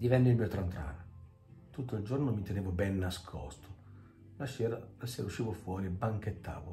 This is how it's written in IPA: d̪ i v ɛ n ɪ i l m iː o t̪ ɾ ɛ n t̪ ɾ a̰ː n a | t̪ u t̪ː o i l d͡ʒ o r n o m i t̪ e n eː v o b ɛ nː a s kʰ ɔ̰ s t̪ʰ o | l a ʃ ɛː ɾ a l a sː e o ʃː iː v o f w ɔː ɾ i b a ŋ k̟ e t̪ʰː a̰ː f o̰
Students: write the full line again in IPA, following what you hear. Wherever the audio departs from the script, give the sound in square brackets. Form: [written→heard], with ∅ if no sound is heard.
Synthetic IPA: d̪ i v ɛ [n→nː] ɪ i l m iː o t̪ ɾ [ɛ→a] n t̪ ɾ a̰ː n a | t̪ u t̪ː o i l d͡ʒ o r n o m i t̪ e n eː v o b ɛ nː a s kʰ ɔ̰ s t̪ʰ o | l a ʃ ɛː ɾ a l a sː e [o→u] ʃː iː v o f w ɔː ɾ i b a ŋ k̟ e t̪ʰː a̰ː [f→v] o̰